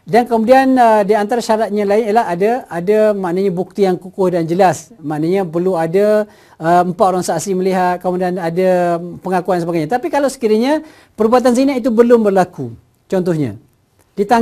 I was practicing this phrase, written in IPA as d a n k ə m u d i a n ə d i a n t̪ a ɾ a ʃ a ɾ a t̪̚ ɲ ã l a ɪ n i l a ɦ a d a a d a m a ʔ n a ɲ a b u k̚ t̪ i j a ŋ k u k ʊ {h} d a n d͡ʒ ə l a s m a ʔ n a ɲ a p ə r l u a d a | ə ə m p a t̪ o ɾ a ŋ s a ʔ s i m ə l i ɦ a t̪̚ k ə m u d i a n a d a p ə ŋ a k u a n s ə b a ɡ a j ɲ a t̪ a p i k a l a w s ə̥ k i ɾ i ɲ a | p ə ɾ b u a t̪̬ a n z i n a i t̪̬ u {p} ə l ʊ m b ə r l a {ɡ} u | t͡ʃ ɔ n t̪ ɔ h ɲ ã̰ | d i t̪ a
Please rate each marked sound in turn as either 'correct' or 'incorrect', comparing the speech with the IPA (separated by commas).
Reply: correct, incorrect, incorrect